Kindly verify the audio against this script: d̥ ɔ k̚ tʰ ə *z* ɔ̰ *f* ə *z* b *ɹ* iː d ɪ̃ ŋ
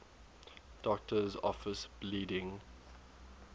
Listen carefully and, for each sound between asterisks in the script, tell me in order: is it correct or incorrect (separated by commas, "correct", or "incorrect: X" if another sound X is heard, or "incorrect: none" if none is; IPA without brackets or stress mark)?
correct, correct, incorrect: s, incorrect: l